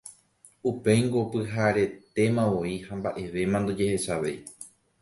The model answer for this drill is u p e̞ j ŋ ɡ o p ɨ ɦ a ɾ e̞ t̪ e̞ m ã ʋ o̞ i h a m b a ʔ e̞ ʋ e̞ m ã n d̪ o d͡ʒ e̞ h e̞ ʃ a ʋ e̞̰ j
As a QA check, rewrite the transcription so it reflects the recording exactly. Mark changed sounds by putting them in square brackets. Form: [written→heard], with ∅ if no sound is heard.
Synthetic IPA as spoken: u p e̞ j ŋ ɡ o p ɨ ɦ a ɾ e̞ t̪ e̞ m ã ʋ o̞ i h a m b a ʔ e̞ ʋ e̞ m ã n d̪ o d͡ʒ e̞ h e̞ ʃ a ʋ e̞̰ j